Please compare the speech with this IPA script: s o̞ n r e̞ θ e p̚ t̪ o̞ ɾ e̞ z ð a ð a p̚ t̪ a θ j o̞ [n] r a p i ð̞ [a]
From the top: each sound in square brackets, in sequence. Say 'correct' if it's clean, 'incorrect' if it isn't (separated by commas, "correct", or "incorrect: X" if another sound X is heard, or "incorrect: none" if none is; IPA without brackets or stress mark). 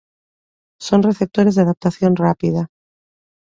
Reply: correct, correct